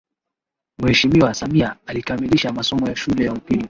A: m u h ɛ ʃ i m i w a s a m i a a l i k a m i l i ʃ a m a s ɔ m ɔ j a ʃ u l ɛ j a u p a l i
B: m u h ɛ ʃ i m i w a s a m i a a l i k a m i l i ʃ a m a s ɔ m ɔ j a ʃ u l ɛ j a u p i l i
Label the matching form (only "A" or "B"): B